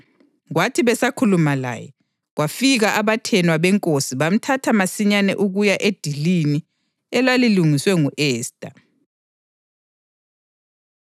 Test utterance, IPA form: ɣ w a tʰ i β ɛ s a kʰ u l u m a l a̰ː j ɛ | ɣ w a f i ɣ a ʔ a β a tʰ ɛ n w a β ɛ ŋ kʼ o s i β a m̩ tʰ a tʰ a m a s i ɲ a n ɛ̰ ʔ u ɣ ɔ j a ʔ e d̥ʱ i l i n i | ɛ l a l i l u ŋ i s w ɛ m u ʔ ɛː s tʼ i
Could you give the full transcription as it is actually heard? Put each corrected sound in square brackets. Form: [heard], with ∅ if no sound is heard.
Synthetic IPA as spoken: ɣ w a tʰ i β ɛ s a kʰ u l u m a l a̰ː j ɛ | ɣ w a f i ɣ a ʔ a β a tʰ ɛ n w a β ɛ ŋ kʼ o s i β a m̩ tʰ a tʰ a m a s i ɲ a n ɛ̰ ʔ u ɣ [u] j a ʔ e d̥ʱ i l i n i | ɛ l a l i l u ŋ i s w ɛ [ŋ] u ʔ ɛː s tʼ [a]

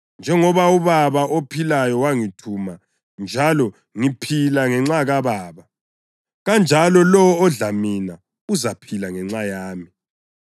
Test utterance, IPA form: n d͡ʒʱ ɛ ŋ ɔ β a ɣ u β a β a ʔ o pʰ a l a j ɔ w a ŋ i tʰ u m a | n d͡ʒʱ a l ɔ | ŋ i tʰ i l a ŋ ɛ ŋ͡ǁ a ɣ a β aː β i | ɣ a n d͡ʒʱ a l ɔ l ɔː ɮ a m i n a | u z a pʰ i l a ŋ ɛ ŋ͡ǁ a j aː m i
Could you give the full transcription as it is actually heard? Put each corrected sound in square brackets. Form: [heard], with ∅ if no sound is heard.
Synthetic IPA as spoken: n d͡ʒʱ ɛ ŋ ɔ β a [∅] u β a β a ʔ o pʰ [i] l a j ɔ w a ŋ i tʰ u m a | n d͡ʒʱ a l ɔ | ŋ i [pʰ] i l a ŋ ɛ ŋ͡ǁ a ɣ a β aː β [a] | ɣ a n d͡ʒʱ a l ɔ l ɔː ɮ a m i n a | u z a pʰ i l a ŋ ɛ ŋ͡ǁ a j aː m i

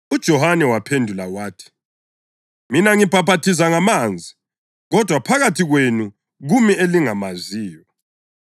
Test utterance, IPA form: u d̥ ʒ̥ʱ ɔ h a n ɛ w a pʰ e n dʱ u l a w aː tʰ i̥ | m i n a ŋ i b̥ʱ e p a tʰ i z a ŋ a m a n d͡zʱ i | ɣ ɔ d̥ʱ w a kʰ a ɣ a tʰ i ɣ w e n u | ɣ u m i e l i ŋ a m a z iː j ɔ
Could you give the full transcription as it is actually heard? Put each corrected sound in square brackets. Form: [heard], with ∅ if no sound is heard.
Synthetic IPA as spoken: u d̥ ʒ̥ʱ ɔ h a n ɛ w a pʰ e n dʱ u l a w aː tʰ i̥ | m i n a ŋ i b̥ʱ [a] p a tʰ i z a ŋ a m a n d͡zʱ i | ɣ ɔ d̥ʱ w a [pʰ] a ɣ a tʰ i ɣ w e n u | ɣ u m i e l i ŋ a m a z iː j ɔ

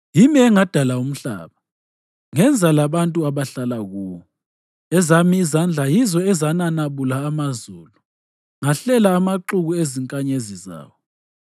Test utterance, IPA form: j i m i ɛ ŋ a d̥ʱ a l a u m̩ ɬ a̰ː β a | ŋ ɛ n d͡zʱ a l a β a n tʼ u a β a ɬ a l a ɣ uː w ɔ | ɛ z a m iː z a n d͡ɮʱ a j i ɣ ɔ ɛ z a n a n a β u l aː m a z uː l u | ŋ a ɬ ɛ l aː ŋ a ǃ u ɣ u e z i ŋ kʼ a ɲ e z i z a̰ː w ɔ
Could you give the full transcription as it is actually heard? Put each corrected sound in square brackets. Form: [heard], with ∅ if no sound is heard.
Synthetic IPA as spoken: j i m i ɛ ŋ a d̥ʱ a l a u m̩ ɬ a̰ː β a | ŋ ɛ n d͡zʱ a l a β a n tʼ u a β a ɬ a l a ɣ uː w ɔ | ɛ z a m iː z a n d͡ɮʱ a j i [z] ɔ ɛ z a n a n a β u l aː m a z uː l u | ŋ a ɬ ɛ l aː [m] a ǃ u ɣ u e z i ŋ kʼ a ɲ e z i z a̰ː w ɔ

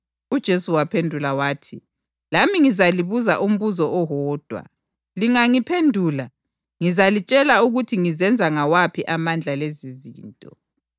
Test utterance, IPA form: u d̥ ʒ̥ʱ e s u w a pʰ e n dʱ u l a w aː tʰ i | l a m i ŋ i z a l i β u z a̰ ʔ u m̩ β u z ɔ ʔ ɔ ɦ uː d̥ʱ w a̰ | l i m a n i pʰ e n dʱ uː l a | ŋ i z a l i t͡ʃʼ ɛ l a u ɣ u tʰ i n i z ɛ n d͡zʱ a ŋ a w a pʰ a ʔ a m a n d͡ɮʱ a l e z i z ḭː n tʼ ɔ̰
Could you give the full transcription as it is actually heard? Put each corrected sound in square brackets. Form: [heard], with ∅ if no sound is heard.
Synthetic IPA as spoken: u d̥ ʒ̥ʱ e s u w a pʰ e n dʱ u l a w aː tʰ i | l a m i ŋ i z a l i β u z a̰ ʔ u m̩ β u z ɔ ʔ ɔ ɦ [ɔː] d̥ʱ w a̰ | l i [ŋ] a [ŋ] i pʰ e n dʱ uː l a | ŋ i z a l i t͡ʃʼ ɛ l a u ɣ u tʰ i [ŋ] i z ɛ n d͡zʱ a ŋ a w a pʰ [i] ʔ a m a n d͡ɮʱ a l e z i z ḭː n tʼ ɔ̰

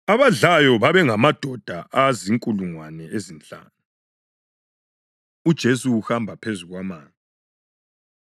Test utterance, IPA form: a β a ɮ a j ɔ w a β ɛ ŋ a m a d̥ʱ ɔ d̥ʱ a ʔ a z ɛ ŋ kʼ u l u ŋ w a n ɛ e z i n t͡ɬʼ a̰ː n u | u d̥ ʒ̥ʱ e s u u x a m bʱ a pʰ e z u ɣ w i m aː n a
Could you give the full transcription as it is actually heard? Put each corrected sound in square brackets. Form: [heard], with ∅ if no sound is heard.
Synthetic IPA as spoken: a β a ɮ a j ɔ [β] a β ɛ ŋ a m a d̥ʱ ɔ d̥ʱ a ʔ a z [i] ŋ kʼ u l u ŋ w a n ɛ e z i n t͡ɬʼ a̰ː n u | u d̥ ʒ̥ʱ e s u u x a m bʱ a pʰ e z u ɣ w [a] m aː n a

